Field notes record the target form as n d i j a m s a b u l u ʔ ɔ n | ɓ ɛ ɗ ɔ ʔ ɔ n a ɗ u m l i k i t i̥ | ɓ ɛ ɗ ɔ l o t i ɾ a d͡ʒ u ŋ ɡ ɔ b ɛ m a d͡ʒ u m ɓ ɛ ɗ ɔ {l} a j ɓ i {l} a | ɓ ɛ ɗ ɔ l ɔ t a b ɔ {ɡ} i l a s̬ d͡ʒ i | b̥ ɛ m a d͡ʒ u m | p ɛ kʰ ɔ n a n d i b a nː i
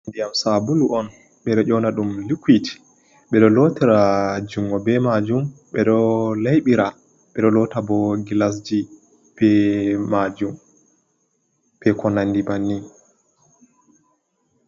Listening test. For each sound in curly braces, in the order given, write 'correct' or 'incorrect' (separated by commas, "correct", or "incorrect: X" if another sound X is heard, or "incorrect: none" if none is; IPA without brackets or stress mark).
correct, incorrect: ɾ, correct